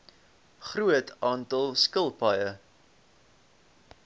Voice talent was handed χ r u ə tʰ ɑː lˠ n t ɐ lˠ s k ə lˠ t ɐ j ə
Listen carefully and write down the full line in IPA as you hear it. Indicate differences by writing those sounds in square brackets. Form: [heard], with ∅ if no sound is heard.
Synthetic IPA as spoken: χ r u ə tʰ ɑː [∅] n t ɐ lˠ s k ə lˠ [p] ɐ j ə